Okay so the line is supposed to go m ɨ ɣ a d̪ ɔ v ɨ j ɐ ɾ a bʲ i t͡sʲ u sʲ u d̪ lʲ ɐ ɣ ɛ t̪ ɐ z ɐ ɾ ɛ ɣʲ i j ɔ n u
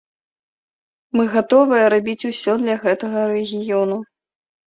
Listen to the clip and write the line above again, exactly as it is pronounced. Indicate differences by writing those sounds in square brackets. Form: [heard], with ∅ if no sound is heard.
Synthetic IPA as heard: m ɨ ɣ a [t̪] ɔ v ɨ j ɐ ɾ a bʲ i t͡sʲ u sʲ [ɔ] d̪ lʲ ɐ ɣ ɛ t̪ ɐ [ɣ] ɐ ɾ ɛ ɣʲ i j ɔ n u